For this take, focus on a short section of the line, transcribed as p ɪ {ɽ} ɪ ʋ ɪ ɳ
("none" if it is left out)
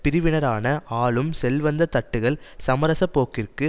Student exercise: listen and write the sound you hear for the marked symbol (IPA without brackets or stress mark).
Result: ɾ